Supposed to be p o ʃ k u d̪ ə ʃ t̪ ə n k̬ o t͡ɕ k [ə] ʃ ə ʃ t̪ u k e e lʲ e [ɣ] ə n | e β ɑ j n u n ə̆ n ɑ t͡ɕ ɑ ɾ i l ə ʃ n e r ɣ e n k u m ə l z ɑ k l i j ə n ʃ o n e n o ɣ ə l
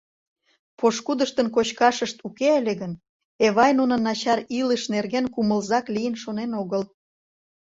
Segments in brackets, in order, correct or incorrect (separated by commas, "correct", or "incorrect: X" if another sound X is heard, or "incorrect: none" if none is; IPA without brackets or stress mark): incorrect: ɑ, correct